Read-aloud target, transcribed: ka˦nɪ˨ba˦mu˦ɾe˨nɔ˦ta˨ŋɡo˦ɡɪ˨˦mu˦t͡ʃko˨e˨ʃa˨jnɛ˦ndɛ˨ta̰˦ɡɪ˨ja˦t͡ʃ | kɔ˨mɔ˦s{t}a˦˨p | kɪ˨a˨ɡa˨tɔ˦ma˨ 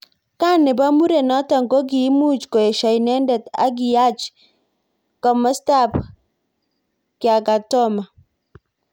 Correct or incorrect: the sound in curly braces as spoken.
correct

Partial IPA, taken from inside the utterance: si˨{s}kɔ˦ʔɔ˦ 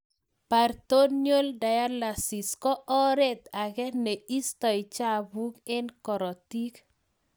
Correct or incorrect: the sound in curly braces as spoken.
correct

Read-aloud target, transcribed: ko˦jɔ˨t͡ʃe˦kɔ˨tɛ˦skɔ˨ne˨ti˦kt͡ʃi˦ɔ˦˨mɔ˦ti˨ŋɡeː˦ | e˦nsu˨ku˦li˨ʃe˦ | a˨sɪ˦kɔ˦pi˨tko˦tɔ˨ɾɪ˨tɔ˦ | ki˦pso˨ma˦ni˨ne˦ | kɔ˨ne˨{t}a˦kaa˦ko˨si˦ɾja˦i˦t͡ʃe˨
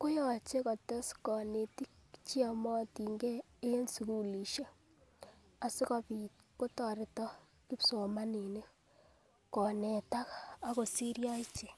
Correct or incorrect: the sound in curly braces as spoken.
correct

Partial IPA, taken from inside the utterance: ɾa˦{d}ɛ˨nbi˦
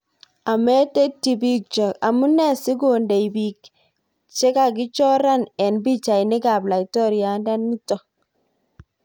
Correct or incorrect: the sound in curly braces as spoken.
incorrect: n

